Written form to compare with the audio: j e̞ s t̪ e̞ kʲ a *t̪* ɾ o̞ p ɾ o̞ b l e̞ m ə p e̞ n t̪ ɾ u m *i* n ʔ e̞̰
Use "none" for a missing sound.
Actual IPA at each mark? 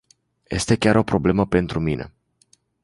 none, i

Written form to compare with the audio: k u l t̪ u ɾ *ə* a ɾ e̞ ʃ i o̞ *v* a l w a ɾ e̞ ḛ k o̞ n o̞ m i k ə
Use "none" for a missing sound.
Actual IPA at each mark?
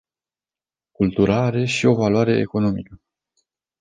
a, v

